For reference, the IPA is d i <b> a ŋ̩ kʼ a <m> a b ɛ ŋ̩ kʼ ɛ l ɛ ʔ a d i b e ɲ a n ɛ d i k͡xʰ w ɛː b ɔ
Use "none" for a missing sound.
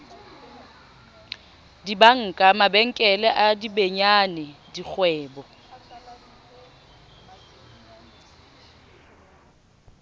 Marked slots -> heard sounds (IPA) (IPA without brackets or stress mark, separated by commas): b, m